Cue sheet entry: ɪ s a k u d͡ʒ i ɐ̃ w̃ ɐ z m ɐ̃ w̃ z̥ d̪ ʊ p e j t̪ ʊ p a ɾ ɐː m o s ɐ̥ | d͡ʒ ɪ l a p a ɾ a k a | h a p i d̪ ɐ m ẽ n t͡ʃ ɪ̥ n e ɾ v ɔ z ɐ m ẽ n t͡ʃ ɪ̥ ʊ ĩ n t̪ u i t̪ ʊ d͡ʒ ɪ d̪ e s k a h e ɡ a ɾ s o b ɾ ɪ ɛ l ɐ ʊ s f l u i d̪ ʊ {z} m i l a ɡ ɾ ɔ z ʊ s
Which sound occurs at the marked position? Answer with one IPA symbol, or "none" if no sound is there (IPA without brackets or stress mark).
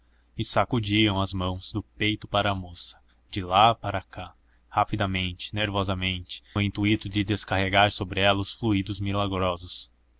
z